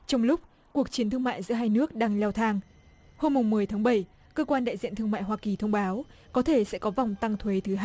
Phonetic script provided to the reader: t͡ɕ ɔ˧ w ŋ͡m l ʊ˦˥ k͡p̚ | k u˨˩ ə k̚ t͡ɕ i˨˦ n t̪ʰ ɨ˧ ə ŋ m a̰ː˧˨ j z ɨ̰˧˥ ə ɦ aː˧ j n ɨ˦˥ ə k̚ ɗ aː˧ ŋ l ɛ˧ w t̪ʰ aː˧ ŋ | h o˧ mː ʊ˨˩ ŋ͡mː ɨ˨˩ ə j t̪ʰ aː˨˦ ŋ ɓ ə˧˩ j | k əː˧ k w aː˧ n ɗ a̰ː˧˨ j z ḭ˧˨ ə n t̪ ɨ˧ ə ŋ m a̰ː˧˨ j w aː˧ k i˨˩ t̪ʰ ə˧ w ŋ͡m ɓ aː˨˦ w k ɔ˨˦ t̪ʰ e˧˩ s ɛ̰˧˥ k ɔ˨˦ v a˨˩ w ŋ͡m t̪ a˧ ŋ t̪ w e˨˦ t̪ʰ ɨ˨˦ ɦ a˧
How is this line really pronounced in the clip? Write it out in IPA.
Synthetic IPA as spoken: t͡ɕ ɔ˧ w ŋ͡m l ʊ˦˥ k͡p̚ | k u˨˩ ə k̚ t͡ɕ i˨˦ n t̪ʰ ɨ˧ ə ŋ m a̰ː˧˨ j z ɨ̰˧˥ ə ɦ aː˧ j n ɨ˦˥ ə k̚ ɗ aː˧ ŋ l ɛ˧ w t̪ʰ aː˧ ŋ | h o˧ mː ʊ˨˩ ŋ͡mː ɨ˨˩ ə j t̪ʰ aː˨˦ ŋ ɓ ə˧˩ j | k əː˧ k w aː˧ n ɗ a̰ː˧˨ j z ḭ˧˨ ə n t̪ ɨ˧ ə ŋ m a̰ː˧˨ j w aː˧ k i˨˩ t̪ʰ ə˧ w ŋ͡m ɓ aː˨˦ w k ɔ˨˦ t̪ʰ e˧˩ s ɛ̰˧˥ k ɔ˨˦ v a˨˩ w ŋ͡m t̪ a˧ ŋ t̪ʰ w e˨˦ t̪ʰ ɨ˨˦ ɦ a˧

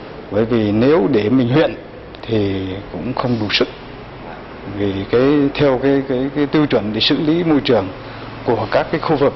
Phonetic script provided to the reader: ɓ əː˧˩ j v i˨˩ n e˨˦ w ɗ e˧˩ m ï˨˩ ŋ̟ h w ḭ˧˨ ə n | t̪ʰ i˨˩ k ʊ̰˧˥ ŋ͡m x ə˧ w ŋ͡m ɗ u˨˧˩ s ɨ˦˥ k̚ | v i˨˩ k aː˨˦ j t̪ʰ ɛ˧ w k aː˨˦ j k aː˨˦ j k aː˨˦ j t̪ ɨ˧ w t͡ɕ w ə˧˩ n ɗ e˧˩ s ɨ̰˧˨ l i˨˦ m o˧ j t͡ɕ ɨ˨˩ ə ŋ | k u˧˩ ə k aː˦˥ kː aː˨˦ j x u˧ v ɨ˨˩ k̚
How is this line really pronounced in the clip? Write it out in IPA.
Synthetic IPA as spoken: ɓ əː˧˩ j v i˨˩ n e˨˦ w ɗ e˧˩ m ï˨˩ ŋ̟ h w ḭ˧˨ ə n | t̪ʰ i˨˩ k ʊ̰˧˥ ŋ͡m x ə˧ w ŋ͡m ɗ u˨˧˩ s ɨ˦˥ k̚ | v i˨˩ k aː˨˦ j t̪ʰ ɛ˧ w k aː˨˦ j k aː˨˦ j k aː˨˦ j t̪ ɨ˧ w t͡ɕ w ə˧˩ n ɗ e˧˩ s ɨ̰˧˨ l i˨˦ m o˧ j t͡ɕ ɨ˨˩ ə ŋ | k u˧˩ ə k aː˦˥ kː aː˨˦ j x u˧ v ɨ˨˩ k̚

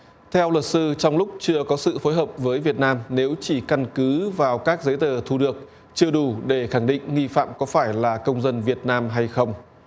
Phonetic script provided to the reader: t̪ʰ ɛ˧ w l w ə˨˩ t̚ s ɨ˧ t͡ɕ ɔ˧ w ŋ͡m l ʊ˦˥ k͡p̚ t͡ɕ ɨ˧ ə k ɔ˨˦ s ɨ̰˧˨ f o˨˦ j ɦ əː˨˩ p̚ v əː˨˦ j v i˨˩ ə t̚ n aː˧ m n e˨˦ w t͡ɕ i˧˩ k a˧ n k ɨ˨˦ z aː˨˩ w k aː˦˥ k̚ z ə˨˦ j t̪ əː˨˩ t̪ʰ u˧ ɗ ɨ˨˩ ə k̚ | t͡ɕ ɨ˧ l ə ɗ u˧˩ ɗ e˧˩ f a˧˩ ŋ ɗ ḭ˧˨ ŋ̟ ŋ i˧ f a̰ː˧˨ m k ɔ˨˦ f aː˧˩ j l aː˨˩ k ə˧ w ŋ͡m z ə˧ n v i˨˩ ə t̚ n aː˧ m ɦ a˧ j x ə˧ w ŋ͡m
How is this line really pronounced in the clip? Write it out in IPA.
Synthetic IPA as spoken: t̪ʰ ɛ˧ w l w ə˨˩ t̚ s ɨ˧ t͡ɕ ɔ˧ w ŋ͡m l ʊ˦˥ k͡p̚ t͡ɕ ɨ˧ ə k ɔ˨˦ s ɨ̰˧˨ f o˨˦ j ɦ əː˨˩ p̚ v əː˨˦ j v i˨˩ ə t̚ n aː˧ m n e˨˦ w t͡ɕ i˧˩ k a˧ n k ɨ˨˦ v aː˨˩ w k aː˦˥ k̚ z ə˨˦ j t̪ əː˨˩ t̪ʰ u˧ ɗ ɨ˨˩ ə k̚ | t͡ɕ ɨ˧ ə ɗ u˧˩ ɗ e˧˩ x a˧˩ ŋ ɗ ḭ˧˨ ŋ̟ ŋ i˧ f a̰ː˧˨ m k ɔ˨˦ f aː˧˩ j l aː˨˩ k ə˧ w ŋ͡m z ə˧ n v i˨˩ ə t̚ n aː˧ m ɦ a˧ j x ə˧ w ŋ͡m

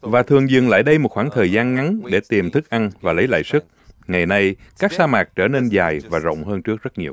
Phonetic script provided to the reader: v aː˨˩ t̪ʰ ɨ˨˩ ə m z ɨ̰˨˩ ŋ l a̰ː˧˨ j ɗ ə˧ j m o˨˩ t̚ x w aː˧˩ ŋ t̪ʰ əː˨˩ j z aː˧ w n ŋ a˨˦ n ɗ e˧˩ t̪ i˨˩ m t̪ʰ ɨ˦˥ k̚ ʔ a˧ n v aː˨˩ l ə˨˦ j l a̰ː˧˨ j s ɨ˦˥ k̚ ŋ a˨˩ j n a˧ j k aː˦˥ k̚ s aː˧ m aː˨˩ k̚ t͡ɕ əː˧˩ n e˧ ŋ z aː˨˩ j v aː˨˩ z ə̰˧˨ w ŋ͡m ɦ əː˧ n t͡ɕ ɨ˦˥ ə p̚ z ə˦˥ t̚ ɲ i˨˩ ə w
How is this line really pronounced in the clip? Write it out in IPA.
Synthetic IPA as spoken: v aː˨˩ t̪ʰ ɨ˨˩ ə ŋ z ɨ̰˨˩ ŋ l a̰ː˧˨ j ɗ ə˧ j m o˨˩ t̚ x w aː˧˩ ŋ t̪ʰ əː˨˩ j z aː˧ n ŋ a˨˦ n ɗ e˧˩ t̪ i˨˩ m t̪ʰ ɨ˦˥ k̚ ʔ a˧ n v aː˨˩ l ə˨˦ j l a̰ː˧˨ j s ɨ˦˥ k̚ ŋ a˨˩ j n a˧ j k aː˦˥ k̚ s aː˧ m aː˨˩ k̚ t͡ɕ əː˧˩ n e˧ n z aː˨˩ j v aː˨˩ z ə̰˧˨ w ŋ͡m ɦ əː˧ n t͡ɕ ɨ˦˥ ə k̚ z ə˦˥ t̚ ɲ i˨˩ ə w

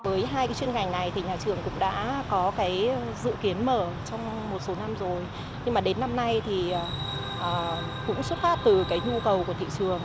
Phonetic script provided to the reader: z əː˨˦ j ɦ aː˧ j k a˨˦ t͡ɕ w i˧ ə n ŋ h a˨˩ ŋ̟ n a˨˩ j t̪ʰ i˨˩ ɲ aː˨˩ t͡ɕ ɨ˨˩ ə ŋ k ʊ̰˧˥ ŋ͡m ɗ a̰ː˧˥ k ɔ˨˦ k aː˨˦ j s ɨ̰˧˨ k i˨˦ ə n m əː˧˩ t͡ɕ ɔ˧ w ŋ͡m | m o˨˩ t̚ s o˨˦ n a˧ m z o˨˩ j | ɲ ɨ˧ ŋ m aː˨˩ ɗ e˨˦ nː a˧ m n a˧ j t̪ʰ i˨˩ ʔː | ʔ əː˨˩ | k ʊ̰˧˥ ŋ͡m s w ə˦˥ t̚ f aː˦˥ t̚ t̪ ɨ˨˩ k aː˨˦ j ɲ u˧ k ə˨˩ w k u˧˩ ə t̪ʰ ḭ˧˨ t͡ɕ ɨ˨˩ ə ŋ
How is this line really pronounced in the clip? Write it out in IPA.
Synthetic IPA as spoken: v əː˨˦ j ɦ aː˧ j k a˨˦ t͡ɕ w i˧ ə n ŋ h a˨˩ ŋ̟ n a˨˩ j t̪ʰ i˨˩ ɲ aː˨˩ t͡ɕ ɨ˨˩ ə ŋ k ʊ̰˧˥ ŋ͡m ɗ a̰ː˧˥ k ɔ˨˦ k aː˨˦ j z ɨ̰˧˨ k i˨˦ ə n m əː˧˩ t͡ɕ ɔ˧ w ŋ͡m | m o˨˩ t̚ s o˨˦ n a˧ m z o˨˩ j | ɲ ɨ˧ ŋ m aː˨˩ ɗ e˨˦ nː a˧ m n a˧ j t̪ʰ i˨˩ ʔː | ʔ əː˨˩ | k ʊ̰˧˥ ŋ͡m s w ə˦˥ t̚ f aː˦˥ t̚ t̪ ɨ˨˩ k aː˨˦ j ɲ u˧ k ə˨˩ w k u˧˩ ə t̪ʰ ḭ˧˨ t͡ɕ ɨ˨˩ ə ŋ

